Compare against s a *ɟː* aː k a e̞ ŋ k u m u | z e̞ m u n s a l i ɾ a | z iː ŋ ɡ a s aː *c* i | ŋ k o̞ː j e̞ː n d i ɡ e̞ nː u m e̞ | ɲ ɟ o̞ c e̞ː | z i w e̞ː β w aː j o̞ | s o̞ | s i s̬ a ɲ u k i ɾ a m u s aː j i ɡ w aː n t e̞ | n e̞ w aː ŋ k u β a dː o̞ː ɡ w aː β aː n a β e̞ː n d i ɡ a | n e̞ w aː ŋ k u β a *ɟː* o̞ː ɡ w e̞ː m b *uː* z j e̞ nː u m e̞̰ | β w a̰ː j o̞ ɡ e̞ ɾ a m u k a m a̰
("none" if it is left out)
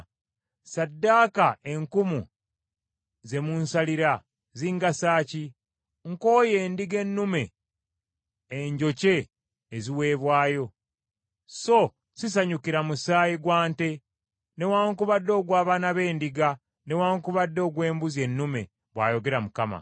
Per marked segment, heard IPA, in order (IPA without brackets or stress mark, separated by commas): dː, c, dː, u